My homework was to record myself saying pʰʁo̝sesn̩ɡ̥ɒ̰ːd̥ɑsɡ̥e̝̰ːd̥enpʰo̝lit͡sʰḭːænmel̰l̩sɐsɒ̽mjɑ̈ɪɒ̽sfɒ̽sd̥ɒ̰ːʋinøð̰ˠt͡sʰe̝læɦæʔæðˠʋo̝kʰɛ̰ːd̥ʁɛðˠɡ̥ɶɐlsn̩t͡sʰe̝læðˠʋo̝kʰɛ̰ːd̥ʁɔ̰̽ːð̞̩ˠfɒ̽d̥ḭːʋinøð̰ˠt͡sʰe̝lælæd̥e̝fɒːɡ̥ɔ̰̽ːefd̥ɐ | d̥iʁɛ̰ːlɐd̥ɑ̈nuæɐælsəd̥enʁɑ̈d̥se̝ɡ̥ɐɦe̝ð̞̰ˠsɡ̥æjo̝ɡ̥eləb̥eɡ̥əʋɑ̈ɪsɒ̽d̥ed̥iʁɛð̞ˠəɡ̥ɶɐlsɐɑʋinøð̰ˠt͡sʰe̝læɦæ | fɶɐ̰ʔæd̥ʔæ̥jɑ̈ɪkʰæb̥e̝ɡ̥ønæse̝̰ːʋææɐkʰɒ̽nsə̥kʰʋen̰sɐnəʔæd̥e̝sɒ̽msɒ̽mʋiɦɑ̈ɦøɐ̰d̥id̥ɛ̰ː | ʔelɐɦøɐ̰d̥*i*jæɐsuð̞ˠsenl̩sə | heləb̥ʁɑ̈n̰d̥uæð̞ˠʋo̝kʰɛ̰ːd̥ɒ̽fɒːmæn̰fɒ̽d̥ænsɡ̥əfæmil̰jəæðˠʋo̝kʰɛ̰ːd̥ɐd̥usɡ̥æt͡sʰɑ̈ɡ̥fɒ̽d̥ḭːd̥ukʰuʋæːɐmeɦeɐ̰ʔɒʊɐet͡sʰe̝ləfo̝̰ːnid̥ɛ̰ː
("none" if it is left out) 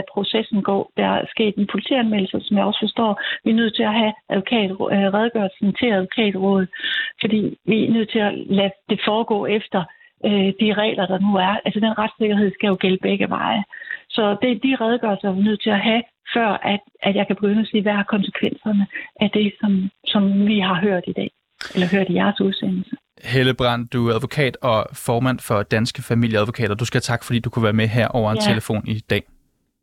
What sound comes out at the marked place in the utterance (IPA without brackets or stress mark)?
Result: i